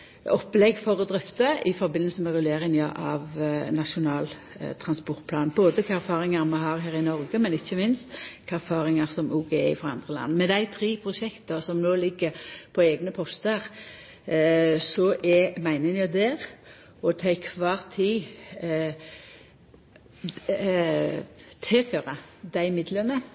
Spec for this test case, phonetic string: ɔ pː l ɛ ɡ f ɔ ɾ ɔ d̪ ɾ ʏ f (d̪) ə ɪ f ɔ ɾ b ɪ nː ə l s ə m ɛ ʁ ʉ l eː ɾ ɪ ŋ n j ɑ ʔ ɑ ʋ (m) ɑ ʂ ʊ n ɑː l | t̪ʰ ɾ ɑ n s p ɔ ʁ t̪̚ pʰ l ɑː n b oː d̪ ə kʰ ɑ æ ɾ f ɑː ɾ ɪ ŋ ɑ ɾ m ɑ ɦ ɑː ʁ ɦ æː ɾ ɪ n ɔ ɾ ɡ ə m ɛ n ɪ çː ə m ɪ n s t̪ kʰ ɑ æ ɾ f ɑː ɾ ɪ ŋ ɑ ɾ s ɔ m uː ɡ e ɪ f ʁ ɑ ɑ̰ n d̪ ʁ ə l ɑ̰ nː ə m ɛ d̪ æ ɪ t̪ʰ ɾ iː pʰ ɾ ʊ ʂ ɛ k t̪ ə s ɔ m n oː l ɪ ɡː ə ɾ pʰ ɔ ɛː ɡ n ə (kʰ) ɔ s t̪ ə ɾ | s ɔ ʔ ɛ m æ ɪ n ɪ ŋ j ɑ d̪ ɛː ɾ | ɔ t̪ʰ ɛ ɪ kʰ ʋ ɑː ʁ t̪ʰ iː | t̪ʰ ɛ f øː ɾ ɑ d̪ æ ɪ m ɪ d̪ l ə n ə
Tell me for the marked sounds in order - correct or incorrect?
incorrect: t̪, incorrect: n, incorrect: pʰ

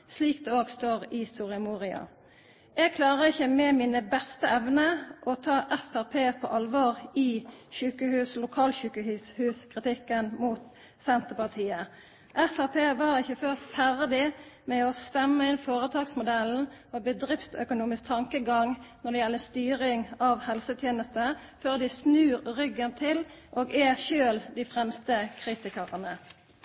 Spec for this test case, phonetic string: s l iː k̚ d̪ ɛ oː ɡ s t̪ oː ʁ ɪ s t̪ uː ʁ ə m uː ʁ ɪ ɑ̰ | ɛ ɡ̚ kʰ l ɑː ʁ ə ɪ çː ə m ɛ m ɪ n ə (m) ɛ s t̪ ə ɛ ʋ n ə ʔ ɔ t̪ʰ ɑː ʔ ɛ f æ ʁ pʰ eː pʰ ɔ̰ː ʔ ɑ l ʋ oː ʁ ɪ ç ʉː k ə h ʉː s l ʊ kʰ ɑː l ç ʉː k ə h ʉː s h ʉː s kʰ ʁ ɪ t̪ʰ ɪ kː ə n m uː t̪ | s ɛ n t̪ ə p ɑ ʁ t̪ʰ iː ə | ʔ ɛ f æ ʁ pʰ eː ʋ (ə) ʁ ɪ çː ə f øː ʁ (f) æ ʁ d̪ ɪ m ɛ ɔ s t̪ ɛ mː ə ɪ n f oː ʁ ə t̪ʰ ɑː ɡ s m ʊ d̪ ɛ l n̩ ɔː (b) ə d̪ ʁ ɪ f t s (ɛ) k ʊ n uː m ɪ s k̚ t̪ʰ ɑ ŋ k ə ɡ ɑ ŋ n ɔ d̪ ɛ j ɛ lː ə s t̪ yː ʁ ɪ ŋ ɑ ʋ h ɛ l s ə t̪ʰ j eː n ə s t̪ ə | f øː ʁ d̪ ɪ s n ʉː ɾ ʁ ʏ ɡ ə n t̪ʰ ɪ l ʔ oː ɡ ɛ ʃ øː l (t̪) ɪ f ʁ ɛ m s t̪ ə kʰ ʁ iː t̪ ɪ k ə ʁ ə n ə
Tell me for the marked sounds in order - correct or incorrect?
incorrect: b, incorrect: ɑ, correct, correct, incorrect: œ, incorrect: d̪

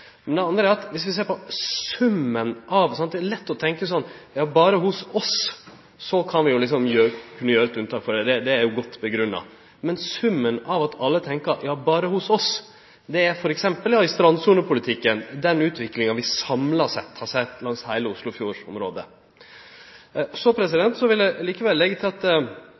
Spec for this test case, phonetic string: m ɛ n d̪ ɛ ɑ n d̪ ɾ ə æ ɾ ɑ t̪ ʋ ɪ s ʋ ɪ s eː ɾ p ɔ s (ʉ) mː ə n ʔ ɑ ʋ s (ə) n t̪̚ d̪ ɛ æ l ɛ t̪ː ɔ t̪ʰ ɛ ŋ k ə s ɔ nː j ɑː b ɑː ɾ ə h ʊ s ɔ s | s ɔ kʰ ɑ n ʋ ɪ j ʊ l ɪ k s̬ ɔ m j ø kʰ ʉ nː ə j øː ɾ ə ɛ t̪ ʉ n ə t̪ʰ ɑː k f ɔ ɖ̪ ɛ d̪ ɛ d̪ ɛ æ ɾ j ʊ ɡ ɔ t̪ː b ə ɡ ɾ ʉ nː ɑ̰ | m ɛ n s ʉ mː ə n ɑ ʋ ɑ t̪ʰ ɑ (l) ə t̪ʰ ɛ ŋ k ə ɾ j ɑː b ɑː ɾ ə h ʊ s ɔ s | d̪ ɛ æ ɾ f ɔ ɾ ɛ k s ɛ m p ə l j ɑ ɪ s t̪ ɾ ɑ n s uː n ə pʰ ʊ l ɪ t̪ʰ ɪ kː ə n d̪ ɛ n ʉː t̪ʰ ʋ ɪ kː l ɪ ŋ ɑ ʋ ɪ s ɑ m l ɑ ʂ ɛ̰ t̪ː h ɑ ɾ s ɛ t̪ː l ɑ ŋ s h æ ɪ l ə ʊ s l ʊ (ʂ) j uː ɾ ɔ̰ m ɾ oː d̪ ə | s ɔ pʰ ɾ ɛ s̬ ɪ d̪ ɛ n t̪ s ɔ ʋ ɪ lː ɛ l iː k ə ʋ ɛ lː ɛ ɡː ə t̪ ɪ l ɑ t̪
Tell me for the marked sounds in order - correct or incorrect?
correct, incorrect: ɑ, incorrect: lː, incorrect: f

